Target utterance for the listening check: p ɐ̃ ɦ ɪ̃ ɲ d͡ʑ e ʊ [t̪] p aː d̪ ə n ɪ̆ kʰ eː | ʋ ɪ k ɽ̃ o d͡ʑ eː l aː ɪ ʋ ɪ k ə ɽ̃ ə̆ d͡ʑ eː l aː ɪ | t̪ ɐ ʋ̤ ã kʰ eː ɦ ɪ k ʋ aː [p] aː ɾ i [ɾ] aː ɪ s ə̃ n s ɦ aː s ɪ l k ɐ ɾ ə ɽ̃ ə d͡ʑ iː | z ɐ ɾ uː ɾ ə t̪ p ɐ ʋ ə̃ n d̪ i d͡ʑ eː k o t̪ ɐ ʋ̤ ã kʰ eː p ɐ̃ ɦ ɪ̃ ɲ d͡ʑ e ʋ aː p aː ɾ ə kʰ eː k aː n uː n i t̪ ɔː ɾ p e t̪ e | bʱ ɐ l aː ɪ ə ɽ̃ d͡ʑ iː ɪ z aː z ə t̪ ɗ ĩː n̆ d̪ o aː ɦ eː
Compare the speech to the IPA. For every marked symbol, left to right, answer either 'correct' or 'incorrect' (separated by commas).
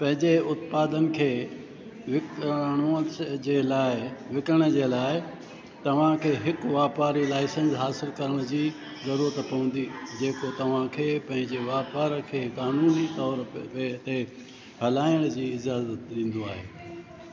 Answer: correct, correct, incorrect